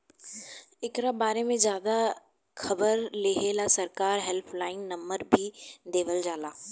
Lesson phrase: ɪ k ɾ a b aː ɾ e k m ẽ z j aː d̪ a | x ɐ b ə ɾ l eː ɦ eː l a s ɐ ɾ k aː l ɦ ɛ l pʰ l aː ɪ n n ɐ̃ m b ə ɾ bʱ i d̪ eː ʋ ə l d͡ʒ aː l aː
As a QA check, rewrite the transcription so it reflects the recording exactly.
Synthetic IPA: ɪ k ɾ a b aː ɾ e m ẽ z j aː d̪ a | x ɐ b ə ɾ l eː ɦ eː l a s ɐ ɾ k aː ɾ ɦ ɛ l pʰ l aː ɪ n n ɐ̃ m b ə ɾ bʱ i d̪ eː ʋ ə l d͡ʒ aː l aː